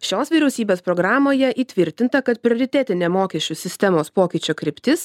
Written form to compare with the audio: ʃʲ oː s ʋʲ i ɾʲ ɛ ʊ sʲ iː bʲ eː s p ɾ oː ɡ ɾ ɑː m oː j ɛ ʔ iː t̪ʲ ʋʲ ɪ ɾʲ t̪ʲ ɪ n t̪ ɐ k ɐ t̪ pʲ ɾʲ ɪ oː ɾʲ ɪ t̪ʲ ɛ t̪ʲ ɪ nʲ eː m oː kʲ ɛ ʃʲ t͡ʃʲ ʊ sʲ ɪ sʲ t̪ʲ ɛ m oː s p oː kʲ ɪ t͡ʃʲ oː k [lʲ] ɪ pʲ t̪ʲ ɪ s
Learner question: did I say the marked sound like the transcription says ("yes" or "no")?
no